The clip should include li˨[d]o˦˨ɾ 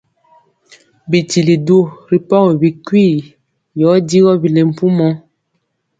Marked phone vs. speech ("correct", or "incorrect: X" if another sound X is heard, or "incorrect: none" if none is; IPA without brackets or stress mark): correct